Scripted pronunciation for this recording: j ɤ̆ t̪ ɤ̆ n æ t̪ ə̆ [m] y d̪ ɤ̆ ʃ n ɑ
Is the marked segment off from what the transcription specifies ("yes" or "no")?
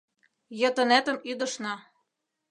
no